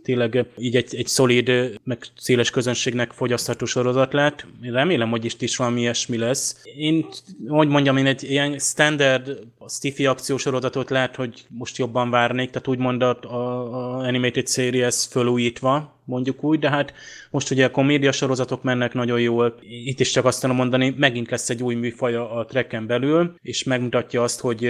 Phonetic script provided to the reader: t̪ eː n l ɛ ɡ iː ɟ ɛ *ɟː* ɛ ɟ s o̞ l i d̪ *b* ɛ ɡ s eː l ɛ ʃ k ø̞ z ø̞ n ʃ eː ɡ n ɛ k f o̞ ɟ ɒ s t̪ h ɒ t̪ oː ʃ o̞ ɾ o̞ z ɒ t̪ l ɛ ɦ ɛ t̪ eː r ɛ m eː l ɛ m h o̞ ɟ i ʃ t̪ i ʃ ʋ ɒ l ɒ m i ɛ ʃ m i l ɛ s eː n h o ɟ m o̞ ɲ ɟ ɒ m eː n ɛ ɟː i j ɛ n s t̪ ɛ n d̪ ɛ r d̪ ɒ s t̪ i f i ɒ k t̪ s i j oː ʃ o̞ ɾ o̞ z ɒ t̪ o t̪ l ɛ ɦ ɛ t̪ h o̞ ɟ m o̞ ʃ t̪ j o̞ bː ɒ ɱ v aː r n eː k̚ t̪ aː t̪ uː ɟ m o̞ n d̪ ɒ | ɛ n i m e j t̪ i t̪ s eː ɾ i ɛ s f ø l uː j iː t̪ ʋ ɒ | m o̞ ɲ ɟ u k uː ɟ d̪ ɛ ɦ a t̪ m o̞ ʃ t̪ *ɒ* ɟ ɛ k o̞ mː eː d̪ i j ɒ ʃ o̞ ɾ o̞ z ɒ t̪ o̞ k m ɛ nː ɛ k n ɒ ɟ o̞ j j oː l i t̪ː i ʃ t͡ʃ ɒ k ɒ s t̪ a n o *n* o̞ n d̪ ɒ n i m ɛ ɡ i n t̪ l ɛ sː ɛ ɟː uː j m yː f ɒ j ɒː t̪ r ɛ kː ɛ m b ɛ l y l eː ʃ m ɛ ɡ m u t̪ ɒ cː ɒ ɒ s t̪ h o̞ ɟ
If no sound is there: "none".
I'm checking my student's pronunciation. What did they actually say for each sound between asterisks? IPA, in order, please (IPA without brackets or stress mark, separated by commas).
ɟ, m, u, m